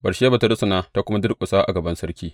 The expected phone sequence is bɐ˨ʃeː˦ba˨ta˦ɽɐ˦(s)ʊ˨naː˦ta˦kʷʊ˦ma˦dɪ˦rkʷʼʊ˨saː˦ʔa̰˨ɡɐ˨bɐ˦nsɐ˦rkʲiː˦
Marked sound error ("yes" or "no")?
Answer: no